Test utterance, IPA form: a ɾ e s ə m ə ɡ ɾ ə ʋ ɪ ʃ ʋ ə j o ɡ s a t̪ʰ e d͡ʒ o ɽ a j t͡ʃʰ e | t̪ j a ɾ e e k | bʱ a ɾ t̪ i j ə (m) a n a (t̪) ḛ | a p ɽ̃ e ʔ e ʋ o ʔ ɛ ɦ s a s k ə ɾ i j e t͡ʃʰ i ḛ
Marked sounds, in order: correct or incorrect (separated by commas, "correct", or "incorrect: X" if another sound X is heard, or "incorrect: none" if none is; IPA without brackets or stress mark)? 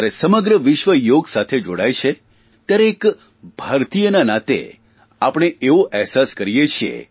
incorrect: n, correct